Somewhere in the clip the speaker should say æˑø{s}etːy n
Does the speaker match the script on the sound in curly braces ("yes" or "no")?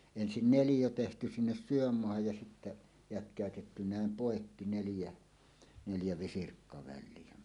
no